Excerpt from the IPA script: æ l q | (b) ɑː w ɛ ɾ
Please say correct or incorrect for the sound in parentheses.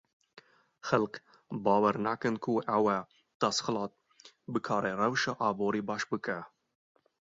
correct